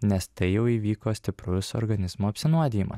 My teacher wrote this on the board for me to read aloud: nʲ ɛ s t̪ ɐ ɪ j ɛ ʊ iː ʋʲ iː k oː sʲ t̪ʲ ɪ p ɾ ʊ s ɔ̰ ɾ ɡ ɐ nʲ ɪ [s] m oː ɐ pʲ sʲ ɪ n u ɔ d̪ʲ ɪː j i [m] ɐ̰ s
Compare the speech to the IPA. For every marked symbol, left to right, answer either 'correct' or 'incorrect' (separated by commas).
incorrect, correct